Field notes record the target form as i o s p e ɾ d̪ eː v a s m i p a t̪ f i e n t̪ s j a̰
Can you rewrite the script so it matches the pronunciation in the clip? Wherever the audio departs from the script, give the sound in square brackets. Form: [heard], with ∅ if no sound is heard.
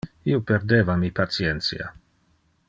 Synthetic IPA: i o [∅] p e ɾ d̪ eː v a [∅] m i p a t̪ [s] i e n t̪ s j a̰